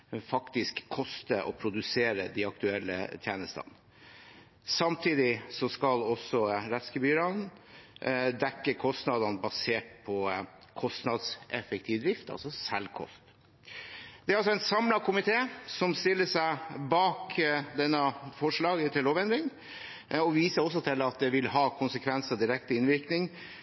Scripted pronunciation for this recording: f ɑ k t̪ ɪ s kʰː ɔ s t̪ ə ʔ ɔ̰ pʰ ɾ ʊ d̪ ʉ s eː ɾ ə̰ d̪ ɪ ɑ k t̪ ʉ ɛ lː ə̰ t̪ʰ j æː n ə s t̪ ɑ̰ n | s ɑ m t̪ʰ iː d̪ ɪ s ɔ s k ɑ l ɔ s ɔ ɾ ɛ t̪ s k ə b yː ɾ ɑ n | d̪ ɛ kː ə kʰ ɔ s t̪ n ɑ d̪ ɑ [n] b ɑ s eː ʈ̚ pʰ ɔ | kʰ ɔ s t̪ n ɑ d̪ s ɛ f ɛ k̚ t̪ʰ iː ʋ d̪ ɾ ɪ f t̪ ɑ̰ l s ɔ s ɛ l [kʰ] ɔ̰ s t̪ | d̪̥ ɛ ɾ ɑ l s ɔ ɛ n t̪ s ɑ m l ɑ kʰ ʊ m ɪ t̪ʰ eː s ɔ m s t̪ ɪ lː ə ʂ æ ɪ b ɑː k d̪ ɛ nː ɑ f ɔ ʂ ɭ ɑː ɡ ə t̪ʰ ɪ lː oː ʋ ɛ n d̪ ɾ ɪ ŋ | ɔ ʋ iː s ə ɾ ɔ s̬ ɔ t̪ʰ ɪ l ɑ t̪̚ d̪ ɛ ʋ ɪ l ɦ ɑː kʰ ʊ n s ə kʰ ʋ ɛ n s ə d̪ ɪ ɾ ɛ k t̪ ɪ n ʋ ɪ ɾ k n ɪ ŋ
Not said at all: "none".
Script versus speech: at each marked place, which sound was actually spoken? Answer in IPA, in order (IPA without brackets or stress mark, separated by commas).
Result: n, kʰ